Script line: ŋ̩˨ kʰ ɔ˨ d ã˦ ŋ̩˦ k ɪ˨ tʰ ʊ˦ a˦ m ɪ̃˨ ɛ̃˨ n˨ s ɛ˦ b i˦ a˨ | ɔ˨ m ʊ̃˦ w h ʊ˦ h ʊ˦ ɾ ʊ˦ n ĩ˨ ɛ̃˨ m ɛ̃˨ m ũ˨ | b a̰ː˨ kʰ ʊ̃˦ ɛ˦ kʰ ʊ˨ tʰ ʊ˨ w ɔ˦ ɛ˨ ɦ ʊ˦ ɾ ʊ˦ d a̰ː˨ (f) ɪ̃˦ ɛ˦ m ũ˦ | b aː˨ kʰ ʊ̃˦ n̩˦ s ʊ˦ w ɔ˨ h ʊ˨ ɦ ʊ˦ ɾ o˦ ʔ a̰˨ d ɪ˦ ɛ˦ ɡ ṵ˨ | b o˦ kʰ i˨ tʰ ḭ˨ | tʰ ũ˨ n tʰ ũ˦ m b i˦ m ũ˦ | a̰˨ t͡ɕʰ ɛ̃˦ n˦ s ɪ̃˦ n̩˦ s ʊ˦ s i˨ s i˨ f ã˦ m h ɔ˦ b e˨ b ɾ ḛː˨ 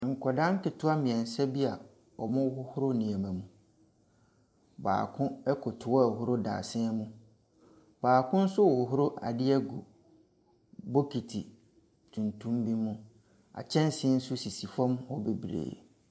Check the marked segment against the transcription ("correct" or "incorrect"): incorrect